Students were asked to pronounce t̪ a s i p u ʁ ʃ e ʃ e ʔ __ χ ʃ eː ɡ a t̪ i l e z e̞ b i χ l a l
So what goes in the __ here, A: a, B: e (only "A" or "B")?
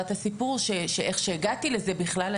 B